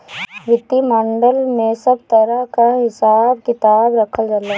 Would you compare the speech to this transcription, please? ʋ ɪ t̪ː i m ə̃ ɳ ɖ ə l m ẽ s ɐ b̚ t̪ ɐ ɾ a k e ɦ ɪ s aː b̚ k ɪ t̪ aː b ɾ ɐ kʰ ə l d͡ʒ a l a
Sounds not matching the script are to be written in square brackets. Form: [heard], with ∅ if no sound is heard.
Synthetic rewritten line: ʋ ɪ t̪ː i m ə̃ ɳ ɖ ə l m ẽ s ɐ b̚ t̪ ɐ ɾ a k [a] ɦ ɪ s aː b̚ k ɪ t̪ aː b ɾ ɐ kʰ ə l d͡ʒ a l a